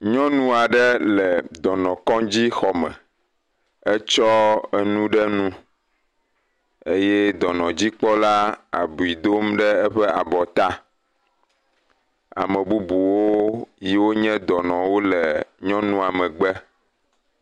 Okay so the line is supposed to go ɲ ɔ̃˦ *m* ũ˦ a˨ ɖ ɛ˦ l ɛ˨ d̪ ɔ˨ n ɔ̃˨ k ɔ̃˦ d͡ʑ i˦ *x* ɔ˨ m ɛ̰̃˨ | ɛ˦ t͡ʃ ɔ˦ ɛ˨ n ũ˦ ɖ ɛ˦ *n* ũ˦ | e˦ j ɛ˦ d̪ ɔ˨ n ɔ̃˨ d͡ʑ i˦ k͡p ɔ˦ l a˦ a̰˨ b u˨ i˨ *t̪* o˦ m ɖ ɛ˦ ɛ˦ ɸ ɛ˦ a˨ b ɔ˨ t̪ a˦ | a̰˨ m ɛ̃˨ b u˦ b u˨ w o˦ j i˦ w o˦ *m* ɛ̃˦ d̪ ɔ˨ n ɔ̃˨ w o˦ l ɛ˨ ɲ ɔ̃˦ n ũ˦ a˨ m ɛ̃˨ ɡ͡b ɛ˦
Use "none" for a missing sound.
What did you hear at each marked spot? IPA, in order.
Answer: n, x, n, d̪, ɲ

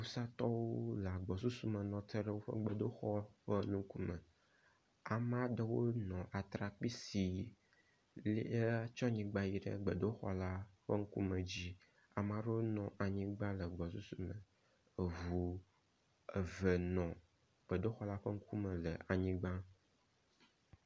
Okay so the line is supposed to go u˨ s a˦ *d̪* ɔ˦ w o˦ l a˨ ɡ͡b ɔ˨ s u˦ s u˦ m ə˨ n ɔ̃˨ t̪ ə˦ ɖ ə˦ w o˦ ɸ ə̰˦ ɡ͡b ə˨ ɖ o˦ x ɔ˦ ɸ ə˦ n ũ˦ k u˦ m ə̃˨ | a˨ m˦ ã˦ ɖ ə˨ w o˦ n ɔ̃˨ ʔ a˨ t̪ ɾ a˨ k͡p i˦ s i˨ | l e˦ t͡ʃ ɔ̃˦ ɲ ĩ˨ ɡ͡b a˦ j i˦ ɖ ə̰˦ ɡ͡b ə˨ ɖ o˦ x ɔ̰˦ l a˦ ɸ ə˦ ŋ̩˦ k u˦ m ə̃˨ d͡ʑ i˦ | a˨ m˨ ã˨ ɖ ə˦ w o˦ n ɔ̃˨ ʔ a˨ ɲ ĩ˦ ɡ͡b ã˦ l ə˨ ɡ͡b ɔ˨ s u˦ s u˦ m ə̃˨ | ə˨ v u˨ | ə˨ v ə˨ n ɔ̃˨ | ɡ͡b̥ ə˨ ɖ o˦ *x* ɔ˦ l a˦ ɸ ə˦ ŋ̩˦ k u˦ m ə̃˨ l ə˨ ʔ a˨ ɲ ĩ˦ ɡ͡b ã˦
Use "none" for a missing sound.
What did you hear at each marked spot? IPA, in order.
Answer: t̪, x

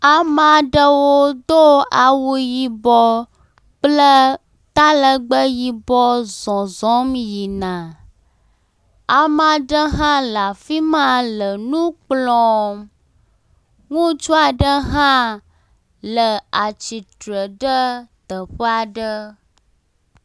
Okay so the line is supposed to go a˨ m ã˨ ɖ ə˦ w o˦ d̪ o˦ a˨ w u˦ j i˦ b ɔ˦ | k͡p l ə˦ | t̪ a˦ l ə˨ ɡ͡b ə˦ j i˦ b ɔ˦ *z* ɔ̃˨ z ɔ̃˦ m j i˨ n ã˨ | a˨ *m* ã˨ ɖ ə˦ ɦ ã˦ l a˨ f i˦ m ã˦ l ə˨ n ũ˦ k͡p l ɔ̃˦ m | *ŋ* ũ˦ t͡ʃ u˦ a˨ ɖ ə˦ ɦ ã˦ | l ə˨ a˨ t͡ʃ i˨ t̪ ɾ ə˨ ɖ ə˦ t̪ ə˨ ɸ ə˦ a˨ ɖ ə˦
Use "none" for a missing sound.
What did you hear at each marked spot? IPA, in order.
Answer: z, m, ŋ

